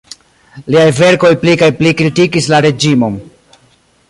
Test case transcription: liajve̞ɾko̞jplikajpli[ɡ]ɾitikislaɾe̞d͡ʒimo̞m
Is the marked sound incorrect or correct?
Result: incorrect